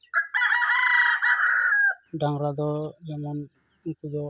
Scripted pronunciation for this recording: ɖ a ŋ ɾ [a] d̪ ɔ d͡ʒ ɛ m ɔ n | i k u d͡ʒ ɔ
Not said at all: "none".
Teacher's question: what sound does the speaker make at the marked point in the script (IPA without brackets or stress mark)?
a